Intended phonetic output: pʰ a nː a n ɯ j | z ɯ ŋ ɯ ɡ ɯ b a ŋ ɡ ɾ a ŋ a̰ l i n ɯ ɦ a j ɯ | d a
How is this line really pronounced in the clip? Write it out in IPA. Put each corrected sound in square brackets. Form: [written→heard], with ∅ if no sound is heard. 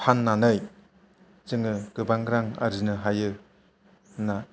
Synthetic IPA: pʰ a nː a n ɯ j | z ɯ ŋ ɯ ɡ ɯ b a ŋ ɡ ɾ a ŋ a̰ [l→ɾ] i n ɯ ɦ a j ɯ | [d→n] a